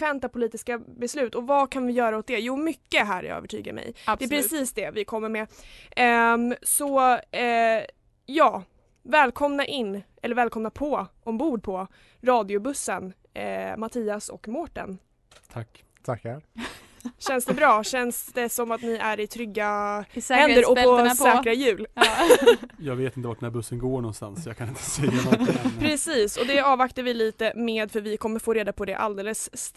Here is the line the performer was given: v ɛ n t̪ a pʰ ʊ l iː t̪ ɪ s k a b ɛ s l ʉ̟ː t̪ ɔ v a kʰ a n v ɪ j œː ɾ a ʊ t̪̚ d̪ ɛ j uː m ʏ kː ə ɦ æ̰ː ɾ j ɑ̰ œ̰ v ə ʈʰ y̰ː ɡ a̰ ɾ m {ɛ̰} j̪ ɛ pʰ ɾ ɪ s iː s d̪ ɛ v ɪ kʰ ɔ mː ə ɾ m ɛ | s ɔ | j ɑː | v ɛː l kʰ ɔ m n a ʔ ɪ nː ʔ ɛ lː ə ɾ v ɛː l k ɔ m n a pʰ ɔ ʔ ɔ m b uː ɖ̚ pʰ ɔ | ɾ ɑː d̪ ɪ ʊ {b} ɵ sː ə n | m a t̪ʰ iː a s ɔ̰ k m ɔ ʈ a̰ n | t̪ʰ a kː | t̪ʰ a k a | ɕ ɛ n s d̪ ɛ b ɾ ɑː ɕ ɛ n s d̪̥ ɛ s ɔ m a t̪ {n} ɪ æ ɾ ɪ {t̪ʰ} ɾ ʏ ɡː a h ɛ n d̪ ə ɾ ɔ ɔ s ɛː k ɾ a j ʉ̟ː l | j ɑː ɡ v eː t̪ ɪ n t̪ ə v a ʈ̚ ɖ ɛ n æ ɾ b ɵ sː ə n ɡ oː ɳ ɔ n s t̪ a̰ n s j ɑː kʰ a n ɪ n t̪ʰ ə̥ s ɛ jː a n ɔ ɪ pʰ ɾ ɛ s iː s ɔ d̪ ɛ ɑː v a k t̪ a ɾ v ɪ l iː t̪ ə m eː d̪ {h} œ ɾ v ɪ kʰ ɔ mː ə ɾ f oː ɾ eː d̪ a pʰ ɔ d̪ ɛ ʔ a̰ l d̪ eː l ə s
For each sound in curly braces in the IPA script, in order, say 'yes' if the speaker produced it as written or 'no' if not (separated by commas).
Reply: yes, yes, yes, yes, no